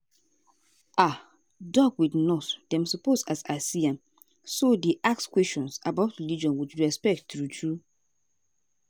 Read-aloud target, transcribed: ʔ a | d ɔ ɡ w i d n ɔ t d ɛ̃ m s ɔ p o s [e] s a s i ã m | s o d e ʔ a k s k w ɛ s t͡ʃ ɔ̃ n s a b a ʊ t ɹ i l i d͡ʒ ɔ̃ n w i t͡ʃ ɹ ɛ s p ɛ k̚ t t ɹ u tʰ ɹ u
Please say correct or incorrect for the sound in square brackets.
incorrect